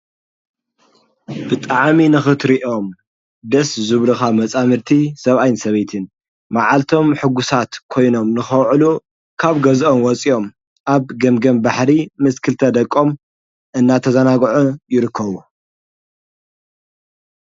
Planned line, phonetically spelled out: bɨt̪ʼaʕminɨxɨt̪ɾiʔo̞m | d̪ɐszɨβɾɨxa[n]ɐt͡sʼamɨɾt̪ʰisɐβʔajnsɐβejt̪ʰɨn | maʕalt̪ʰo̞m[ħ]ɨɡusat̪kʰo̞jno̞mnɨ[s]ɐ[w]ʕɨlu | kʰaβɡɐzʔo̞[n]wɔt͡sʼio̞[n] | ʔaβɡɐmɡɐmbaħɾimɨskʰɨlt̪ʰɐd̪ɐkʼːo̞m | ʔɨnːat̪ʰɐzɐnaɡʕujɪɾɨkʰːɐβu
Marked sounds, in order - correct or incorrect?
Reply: incorrect, correct, incorrect, correct, incorrect, incorrect

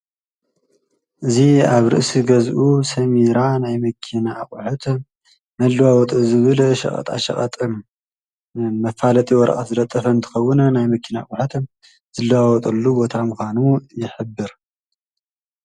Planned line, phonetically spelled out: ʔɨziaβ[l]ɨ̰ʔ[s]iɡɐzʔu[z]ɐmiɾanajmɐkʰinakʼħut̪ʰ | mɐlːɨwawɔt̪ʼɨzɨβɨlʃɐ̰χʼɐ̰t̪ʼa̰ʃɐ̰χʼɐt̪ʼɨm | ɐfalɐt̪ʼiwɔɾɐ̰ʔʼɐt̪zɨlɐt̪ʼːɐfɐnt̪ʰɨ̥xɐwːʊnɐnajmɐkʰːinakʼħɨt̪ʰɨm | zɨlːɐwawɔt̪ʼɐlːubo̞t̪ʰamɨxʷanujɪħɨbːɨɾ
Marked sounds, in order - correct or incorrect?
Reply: incorrect, correct, incorrect

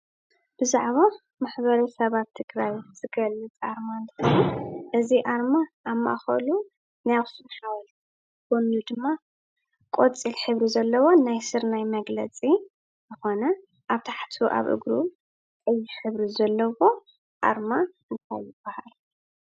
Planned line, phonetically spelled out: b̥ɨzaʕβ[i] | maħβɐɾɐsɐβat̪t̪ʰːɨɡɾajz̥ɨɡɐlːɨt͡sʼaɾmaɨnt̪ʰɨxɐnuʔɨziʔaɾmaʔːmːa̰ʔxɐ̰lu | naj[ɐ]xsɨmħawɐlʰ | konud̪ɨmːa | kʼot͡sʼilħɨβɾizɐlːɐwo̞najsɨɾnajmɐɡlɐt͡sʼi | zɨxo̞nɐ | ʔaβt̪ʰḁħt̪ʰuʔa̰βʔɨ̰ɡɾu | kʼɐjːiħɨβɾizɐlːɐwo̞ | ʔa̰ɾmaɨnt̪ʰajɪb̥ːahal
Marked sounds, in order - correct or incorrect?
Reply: incorrect, incorrect

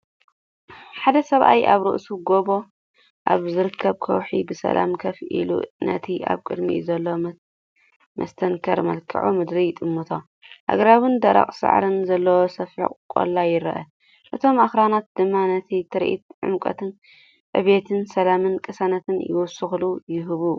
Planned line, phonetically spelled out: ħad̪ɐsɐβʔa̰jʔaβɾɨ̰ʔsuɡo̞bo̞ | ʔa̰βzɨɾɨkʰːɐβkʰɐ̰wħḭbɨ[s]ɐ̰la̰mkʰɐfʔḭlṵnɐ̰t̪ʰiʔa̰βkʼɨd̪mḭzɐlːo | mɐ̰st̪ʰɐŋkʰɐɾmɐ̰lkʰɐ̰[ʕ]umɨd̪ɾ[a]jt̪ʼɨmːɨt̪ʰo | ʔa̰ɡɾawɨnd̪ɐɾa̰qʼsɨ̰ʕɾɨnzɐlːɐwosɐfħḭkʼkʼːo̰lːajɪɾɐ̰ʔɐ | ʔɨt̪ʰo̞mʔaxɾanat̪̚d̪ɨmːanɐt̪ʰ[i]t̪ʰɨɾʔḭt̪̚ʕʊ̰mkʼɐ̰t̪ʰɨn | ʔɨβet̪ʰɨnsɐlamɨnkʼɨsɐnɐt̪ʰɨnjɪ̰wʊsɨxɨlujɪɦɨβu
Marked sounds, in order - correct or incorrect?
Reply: correct, correct, incorrect, correct

